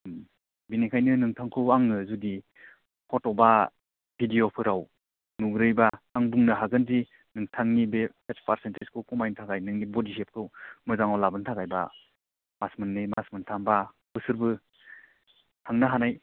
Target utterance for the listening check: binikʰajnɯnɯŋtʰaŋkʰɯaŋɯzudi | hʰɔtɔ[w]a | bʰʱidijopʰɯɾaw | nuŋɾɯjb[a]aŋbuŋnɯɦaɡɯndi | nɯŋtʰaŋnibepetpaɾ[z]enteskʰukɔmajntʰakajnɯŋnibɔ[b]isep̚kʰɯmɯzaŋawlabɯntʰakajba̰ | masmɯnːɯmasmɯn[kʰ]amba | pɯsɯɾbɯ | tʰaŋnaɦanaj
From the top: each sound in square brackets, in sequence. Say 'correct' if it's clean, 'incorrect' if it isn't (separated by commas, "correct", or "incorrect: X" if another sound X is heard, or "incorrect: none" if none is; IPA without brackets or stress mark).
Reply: incorrect: b, correct, incorrect: s, incorrect: d, incorrect: tʰ